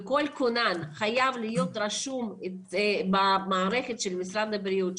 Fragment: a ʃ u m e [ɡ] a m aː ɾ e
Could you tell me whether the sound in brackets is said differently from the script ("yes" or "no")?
yes